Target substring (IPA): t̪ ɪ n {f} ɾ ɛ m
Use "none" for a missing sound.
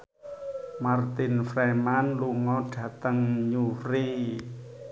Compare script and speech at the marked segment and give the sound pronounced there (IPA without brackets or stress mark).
f